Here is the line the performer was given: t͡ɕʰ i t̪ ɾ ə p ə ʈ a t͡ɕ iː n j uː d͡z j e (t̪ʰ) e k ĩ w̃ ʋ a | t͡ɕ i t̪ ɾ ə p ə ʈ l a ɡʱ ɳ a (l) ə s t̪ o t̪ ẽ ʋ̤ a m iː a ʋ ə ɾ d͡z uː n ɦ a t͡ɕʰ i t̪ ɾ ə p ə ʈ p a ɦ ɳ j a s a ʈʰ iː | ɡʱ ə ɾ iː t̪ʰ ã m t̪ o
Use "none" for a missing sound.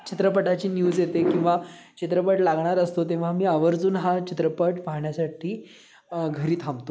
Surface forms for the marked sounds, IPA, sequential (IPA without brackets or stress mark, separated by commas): t̪, ɾ